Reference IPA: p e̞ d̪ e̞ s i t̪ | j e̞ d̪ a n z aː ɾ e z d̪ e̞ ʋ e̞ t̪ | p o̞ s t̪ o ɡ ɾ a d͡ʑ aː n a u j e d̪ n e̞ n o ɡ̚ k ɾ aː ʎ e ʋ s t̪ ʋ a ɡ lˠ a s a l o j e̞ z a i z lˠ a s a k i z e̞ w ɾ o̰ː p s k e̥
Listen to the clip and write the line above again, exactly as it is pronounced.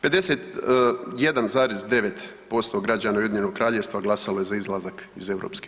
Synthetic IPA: p e̞ d̪ e̞ s e t̪ | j e̞ d̪ a n z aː ɾ e z d̪ e̞ ʋ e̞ t̪ | p o̞ s t̪ o ɡ ɾ a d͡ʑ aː n a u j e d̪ ɲ e̞ n o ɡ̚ k ɾ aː ʎ e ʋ s t̪ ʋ a ɡ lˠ a s a l o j e̞ z a i z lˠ a z a k i z e̞ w ɾ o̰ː p s k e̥